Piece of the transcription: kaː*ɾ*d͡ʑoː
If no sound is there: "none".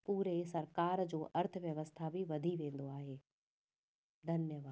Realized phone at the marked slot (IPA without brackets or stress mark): ɾ